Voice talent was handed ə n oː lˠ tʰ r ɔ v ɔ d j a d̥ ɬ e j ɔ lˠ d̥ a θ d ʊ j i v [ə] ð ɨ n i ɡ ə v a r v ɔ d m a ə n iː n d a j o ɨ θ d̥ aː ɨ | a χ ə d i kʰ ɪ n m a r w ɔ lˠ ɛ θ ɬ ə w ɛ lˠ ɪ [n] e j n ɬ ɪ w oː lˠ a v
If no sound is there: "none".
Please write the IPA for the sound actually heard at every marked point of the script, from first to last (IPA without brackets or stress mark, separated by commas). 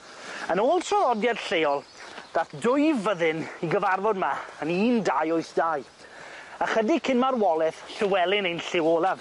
ə, n